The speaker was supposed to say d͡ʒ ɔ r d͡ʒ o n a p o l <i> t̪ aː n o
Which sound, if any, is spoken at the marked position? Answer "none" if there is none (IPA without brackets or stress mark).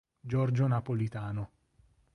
i